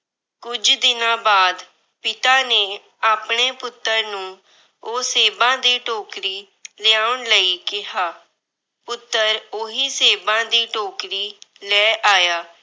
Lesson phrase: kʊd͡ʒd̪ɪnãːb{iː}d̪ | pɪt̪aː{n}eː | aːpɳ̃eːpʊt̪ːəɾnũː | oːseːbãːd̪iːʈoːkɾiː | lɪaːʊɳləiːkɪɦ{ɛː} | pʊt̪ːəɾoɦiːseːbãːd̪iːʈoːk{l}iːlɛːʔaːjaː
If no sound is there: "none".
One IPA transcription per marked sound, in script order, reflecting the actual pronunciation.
aː, n, aː, ɾ

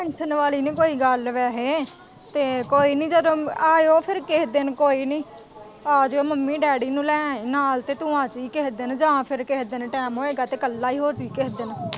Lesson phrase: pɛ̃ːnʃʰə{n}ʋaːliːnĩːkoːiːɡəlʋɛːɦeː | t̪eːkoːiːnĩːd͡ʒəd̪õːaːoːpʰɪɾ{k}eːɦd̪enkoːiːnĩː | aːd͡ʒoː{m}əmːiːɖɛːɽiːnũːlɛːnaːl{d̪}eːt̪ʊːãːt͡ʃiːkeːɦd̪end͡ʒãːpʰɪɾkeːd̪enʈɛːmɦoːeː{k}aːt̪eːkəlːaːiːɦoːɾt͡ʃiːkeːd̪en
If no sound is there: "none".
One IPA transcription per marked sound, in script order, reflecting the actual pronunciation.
n, k, m, t̪, ɡ

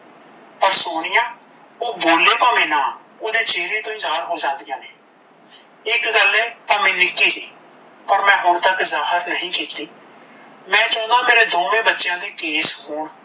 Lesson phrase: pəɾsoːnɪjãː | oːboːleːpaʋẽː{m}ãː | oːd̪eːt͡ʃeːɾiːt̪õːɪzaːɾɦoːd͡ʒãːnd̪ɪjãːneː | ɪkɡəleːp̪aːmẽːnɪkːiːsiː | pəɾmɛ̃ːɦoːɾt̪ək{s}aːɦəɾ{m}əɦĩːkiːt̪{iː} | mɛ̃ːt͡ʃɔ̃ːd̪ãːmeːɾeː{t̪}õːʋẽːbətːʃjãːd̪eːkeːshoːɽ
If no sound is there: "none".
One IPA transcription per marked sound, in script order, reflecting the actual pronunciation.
n, z, n, iː, d̪

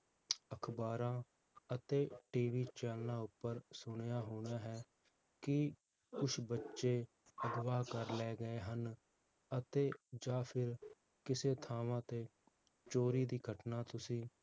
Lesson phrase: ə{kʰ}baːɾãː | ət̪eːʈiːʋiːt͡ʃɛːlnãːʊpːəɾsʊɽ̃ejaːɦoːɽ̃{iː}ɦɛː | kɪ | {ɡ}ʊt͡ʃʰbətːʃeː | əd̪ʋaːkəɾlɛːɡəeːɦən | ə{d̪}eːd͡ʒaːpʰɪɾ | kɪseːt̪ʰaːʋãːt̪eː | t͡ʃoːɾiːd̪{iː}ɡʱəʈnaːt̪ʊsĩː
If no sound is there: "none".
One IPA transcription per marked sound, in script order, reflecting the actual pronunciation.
kʰ, aː, k, t̪, iː

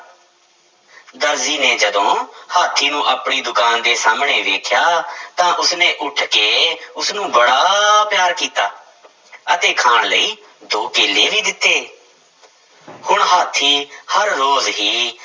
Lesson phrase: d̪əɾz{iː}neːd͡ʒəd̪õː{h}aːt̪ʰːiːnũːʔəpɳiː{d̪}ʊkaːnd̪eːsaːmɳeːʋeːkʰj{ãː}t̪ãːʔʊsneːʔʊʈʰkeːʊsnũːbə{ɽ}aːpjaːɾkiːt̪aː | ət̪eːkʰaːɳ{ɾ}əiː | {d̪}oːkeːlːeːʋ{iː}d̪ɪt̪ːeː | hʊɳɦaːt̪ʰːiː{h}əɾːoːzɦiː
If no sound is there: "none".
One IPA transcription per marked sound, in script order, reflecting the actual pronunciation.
iː, h, d̪, aː, ɽ, l, d̪, iː, h

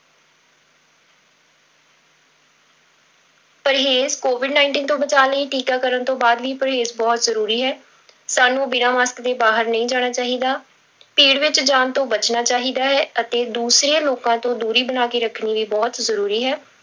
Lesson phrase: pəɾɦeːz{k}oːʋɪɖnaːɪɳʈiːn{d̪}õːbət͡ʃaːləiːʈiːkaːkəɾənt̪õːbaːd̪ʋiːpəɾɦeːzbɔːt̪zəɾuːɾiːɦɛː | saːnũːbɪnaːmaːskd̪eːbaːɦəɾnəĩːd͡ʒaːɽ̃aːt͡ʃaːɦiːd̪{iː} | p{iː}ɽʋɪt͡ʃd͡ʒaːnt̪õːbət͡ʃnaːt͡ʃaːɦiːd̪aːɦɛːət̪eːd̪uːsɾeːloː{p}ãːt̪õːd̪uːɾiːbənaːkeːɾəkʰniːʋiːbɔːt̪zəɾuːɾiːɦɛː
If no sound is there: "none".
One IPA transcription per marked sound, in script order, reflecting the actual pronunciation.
k, t̪, aː, iː, k

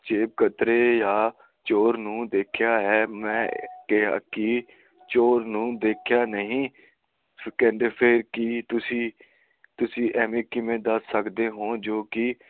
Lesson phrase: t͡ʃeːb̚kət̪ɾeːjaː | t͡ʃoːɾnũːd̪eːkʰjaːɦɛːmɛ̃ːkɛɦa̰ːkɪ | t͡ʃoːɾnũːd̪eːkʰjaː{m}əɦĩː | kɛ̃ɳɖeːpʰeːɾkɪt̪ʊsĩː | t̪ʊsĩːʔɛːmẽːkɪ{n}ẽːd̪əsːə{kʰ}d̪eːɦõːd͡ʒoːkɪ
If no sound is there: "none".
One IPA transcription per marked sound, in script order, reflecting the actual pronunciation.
n, m, k

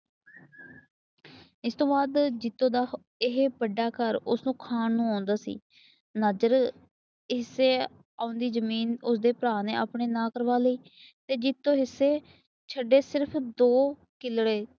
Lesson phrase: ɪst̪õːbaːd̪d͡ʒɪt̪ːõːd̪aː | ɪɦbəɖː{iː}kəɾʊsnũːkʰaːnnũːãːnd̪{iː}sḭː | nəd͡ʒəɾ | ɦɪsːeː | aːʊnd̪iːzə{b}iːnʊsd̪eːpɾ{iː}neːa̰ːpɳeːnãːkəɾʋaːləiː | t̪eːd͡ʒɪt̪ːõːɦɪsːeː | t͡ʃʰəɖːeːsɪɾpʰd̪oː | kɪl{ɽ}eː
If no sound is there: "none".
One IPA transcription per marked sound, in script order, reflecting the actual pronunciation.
aː, aː, m, aː, ɽ

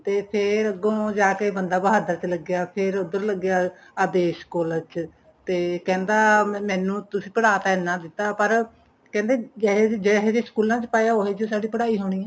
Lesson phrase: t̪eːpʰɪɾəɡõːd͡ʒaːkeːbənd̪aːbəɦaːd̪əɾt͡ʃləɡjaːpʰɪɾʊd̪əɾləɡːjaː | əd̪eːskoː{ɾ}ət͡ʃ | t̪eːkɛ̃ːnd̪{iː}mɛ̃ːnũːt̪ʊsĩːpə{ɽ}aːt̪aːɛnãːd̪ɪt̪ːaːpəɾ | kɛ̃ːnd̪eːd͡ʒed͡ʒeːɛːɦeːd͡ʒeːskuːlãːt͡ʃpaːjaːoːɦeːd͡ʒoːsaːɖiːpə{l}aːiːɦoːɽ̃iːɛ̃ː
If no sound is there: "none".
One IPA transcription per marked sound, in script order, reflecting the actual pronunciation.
l, aː, ɽ, ɽ

